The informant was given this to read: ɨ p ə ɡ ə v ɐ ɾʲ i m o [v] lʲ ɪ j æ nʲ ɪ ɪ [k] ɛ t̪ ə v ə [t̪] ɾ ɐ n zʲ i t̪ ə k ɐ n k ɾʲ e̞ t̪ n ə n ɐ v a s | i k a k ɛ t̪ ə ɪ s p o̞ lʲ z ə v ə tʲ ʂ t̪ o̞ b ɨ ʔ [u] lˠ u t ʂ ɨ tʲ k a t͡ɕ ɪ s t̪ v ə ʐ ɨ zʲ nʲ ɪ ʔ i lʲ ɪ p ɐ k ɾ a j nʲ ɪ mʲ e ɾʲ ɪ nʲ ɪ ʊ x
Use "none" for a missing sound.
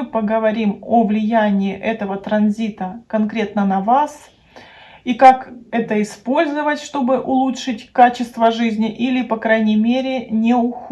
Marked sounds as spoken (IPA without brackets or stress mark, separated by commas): v, ʔ, t̪, ʊ